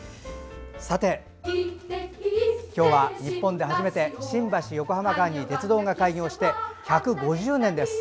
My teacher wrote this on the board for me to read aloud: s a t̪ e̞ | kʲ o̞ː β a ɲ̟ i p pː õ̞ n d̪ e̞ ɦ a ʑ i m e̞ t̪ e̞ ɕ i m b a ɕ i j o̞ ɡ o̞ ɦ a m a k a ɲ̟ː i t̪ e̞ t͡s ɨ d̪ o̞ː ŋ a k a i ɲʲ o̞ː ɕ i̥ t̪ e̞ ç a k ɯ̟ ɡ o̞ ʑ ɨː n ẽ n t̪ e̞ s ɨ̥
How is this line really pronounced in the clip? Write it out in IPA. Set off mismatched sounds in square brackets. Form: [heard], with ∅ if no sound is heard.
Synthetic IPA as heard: s a t̪ e̞ | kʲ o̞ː β a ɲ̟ i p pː õ̞ n d̪ e̞ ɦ a ʑ i m e̞ t̪ e̞ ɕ [ĩ] m b a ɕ i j o̞ [k] o̞ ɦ a m a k a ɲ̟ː i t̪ e̞ t͡s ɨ d̪ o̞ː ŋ a k a i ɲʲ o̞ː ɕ i̥ t̪ e̞ ç a k ɯ̟ ɡ o̞ ʑ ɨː n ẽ n [d̪] e̞ s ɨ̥

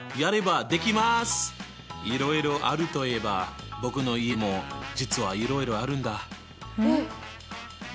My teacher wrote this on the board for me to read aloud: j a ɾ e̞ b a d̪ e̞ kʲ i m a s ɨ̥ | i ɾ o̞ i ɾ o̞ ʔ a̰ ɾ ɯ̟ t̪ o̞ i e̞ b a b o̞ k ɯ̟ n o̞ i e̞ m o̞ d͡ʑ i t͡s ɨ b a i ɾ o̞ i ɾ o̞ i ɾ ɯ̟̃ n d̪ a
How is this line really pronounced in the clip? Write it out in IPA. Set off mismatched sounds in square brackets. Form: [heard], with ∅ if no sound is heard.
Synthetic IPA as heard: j a ɾ e̞ b a d̪ e̞ kʲ i m a s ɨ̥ | i ɾ o̞ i ɾ o̞ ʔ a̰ ɾ ɯ̟ t̪ o̞ i e̞ b a b o̞ k ɯ̟ n o̞ i e̞ m o̞ d͡ʑ i t͡s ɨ [β] a i ɾ o̞ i ɾ o̞ [a] ɾ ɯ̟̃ n d̪ a

